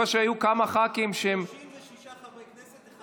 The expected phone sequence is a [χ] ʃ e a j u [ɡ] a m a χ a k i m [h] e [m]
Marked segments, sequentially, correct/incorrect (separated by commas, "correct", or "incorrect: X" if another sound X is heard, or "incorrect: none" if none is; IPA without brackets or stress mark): incorrect: none, incorrect: k, incorrect: ʃ, correct